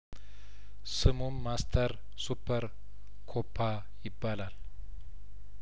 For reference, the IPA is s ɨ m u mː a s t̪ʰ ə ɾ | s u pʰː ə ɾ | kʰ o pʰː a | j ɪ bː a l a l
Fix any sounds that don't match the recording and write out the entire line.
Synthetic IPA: s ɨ m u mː a s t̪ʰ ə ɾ | s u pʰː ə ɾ | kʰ o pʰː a | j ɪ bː a l a l